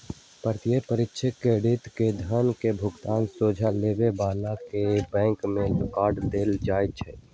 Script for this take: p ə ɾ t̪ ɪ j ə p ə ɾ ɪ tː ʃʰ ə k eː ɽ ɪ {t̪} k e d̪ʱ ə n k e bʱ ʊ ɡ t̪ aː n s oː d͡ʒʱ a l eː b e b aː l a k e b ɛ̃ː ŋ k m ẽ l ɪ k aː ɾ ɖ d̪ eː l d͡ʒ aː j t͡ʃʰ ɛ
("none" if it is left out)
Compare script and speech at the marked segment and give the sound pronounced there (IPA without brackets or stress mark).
t̪